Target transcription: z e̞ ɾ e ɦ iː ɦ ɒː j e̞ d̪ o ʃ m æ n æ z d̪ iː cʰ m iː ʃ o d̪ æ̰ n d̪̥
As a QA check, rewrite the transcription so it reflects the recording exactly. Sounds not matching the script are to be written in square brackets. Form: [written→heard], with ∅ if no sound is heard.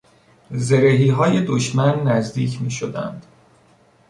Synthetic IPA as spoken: z e̞ ɾ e ɦ iː ɦ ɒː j e̞ d̪ o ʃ m æ [n→nː] æ z d̪ iː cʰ m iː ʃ o d̪ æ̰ n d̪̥